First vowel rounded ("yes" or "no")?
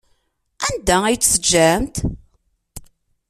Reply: no